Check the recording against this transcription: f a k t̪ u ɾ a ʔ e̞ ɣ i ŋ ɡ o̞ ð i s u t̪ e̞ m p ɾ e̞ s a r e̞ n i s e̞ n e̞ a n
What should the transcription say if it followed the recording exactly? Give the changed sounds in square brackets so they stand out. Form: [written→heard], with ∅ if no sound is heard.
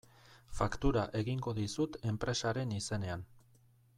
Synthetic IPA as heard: f a k t̪ u ɾ a ʔ e̞ ɣ i ŋ ɡ o̞ ð i s u t̪ e̞ m p ɾ e̞ s a [r→ɾ] e̞ n i s e̞ n e̞ a n